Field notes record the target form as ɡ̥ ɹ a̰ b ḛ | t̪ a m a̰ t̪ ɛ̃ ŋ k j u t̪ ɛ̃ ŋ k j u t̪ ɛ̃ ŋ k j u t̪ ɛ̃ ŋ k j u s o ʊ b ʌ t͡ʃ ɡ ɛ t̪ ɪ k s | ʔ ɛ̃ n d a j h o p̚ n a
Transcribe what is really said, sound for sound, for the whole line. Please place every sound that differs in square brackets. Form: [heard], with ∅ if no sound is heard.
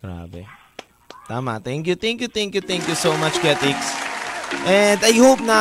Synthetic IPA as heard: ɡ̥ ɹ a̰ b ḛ | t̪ a m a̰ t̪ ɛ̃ ŋ k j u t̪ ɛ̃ ŋ k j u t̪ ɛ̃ ŋ k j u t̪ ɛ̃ ŋ k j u s o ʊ [m] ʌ t͡ʃ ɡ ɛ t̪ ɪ k s | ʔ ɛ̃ n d a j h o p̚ n a